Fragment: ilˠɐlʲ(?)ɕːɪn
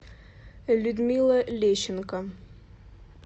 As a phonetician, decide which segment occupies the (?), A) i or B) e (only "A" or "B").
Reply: B